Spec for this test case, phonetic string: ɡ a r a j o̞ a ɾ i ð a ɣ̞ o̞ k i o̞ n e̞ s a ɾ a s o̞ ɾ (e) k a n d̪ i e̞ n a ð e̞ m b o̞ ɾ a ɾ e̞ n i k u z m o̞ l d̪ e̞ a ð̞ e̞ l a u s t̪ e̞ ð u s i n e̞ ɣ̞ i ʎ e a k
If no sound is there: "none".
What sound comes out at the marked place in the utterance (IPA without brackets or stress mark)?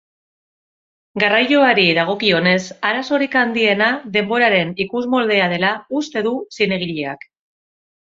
i